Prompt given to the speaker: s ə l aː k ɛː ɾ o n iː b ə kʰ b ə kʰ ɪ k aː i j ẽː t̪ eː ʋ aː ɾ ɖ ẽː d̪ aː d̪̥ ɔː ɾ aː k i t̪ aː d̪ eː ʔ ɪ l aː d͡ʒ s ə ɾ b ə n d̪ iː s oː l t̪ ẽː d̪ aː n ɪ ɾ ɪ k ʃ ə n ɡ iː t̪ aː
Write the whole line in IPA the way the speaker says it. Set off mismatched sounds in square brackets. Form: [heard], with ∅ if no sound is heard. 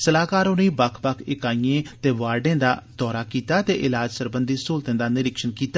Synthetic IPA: s ə l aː k [aː] ɾ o n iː b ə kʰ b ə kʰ ɪ k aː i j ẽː t̪ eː ʋ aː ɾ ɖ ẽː d̪ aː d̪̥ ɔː ɾ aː k [iː] t̪ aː [t̪] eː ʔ ɪ l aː d͡ʒ s ə ɾ b ə n d̪ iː s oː l t̪ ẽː d̪ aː n ɪ ɾ ɪ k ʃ ə n [k] iː t̪ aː